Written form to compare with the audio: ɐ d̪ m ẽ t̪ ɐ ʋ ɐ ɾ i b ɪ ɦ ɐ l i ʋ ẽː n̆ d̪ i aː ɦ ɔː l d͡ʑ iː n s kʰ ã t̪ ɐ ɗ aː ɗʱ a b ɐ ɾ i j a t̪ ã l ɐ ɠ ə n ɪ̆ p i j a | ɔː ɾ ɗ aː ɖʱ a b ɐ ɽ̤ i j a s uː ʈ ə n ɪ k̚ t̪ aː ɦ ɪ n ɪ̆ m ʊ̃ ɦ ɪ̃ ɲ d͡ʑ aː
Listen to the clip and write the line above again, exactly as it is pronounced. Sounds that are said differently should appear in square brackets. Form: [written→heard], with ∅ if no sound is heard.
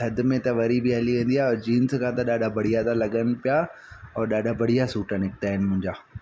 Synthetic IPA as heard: ɐ d̪ m ẽ t̪ ɐ ʋ ɐ ɾ i b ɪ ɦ ɐ l i ʋ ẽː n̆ d̪ i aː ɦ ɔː [l→ɾ] d͡ʑ iː n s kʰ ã t̪ ɐ ɗ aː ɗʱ a b ɐ [ɾ→ɽ] i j a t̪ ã l ɐ ɠ ə n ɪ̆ p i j a | ɔː ɾ ɗ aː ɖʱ a b ɐ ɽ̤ i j a s uː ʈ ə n ɪ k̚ t̪ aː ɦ ɪ n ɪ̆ m ʊ̃ ɦ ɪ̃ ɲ d͡ʑ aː